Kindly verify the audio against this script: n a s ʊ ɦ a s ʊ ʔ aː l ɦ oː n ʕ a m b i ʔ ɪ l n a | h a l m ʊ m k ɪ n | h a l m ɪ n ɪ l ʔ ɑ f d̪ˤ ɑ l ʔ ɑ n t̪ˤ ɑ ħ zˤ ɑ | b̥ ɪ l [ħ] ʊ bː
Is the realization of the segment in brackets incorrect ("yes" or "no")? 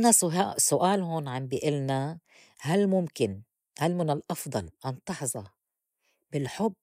no